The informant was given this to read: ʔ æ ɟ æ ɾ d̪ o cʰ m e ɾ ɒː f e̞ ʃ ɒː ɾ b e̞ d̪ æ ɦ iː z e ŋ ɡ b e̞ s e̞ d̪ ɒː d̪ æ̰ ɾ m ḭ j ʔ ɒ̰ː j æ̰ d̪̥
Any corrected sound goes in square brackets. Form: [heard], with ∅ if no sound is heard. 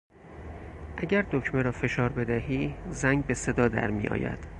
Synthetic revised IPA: ʔ æ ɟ æ ɾ d̪ o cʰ m e ɾ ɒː f e̞ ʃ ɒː ɾ b e̞ d̪ æ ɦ iː z [æ] ŋ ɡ b e̞ s e̞ d̪ ɒː d̪ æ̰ ɾ m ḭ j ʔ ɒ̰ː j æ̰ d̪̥